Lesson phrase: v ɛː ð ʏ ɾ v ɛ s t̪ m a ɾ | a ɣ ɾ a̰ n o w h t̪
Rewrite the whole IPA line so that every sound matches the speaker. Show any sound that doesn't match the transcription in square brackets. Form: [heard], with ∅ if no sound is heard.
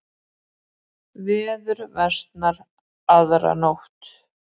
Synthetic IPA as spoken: v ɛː ð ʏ ɾ v ɛ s t̪ [n] a ɾ | a [ð] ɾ a̰ n o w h t̪